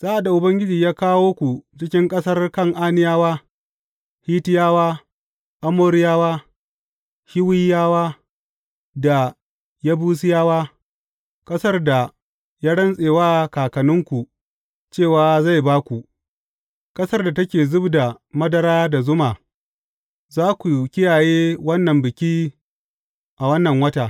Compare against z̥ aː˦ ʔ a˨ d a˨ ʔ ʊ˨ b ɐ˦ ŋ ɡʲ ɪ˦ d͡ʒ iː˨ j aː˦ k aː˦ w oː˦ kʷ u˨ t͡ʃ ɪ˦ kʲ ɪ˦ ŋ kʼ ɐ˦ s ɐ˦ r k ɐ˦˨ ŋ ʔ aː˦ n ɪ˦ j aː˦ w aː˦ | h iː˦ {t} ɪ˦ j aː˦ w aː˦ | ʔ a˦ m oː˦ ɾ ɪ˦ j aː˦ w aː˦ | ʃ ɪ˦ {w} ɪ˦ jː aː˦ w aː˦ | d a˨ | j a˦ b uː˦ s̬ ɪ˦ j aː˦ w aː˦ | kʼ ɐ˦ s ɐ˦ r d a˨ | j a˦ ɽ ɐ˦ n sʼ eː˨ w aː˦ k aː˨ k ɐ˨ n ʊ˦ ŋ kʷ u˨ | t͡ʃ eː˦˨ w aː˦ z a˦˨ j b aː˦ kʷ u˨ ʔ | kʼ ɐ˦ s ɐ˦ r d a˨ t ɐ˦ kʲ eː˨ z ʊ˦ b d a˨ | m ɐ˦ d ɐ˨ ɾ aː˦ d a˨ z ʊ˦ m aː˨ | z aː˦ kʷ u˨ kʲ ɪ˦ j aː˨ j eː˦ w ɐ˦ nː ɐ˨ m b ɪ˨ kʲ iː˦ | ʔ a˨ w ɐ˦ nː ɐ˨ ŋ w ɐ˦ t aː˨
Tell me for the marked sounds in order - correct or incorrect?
correct, correct

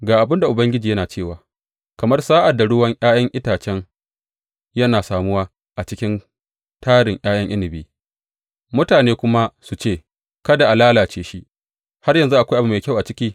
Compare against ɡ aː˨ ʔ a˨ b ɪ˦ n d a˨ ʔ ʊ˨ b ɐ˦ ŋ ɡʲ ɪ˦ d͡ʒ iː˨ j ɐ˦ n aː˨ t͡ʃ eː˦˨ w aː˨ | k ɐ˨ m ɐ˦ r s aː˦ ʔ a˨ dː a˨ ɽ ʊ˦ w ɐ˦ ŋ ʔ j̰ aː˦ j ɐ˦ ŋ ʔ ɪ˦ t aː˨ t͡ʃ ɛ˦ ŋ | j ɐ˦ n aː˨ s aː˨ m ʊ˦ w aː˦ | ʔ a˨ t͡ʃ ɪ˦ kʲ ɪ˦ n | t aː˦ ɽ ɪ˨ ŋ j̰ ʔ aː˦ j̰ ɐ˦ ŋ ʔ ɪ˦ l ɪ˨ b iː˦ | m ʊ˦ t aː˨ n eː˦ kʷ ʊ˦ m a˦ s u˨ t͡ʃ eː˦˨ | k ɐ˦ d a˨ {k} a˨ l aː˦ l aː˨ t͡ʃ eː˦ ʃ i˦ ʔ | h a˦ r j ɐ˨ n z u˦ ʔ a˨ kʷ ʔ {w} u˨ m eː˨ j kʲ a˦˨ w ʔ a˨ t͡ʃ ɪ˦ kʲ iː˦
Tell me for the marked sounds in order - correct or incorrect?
incorrect: ʔ, incorrect: b

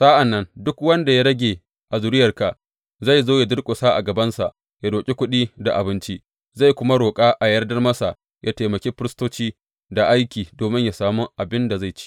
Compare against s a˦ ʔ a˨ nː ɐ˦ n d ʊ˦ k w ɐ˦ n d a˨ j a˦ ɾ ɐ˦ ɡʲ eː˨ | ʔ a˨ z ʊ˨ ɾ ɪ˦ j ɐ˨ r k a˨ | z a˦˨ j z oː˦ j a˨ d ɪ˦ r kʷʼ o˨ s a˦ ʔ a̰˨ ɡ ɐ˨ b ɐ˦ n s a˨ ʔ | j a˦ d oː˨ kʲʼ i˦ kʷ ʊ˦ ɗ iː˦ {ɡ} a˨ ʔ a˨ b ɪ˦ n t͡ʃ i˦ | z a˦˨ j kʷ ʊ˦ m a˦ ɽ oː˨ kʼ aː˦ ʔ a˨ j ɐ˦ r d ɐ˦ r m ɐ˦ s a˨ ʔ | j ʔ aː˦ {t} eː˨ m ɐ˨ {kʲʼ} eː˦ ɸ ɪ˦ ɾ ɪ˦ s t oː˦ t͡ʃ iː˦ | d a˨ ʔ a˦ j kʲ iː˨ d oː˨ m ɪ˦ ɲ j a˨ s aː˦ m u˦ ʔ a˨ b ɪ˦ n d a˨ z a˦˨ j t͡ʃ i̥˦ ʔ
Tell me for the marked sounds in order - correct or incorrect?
incorrect: d, correct, incorrect: kʲ

